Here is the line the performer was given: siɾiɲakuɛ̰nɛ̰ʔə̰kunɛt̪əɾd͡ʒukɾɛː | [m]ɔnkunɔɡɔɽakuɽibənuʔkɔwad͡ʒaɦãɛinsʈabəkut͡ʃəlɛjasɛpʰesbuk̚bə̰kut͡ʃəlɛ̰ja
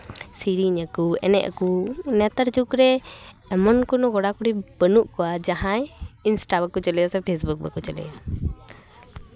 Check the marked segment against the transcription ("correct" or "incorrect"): correct